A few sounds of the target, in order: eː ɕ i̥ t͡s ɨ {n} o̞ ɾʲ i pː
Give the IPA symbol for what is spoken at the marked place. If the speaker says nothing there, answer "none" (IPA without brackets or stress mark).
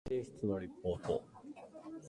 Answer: n